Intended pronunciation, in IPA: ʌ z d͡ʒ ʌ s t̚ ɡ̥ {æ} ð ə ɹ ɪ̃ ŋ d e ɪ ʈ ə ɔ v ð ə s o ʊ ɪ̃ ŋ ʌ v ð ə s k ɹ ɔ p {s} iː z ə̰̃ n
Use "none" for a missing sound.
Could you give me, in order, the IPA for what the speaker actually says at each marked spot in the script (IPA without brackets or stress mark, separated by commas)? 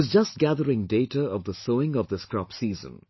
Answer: æ, s